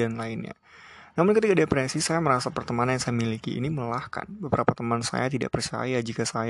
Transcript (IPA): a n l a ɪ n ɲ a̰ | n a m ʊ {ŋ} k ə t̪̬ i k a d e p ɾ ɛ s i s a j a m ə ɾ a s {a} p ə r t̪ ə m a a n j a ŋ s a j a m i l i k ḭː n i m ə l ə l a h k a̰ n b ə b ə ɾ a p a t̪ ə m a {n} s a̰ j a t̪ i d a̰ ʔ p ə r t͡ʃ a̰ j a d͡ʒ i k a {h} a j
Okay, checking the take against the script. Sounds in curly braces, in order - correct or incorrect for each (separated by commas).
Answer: incorrect, correct, correct, incorrect